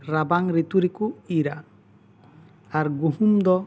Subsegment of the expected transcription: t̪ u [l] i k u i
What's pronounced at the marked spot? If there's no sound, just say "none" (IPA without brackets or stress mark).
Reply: ɾ